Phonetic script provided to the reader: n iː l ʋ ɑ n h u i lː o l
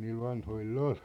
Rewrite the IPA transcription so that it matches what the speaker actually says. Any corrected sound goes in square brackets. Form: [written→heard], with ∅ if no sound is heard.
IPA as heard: n iː l ʋ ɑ n h [u→o] i lː o l